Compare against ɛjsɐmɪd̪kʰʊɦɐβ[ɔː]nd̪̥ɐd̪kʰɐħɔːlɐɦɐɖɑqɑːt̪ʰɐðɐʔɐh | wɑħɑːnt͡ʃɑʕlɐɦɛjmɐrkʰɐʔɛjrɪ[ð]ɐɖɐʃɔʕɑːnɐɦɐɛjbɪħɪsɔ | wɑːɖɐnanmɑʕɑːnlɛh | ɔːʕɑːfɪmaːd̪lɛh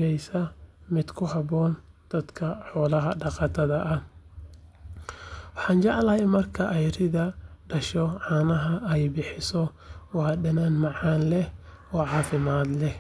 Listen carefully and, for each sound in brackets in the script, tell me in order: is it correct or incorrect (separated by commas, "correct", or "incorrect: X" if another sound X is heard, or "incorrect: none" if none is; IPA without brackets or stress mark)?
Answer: correct, correct